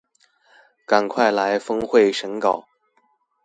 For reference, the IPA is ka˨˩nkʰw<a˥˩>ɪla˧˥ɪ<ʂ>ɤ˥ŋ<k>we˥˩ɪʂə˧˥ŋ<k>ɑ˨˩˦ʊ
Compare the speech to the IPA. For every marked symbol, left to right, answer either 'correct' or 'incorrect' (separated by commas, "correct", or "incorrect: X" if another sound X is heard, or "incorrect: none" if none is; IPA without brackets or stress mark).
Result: correct, incorrect: f, incorrect: x, correct